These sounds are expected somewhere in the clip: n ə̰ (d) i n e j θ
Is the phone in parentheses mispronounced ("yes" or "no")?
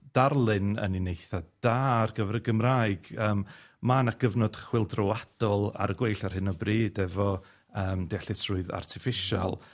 yes